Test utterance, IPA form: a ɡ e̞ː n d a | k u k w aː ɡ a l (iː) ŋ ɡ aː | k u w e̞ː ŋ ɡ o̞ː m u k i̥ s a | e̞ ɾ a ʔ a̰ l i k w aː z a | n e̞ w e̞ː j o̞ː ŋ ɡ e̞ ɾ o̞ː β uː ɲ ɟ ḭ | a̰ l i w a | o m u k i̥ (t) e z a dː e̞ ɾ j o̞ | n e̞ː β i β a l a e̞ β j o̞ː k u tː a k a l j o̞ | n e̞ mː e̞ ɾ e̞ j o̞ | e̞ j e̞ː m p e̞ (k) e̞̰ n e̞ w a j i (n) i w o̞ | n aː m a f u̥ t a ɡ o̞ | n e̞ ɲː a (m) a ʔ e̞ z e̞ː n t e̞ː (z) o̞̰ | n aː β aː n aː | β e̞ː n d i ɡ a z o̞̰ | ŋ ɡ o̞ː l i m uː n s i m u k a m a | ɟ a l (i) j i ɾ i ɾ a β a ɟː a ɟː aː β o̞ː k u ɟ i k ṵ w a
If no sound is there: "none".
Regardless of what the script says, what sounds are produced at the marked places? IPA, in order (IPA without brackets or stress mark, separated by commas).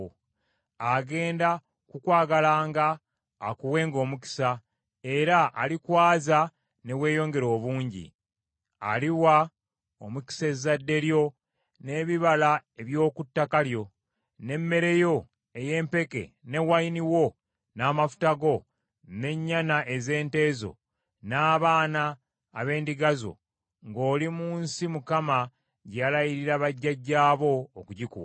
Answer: aː, s, k, n, n, z, a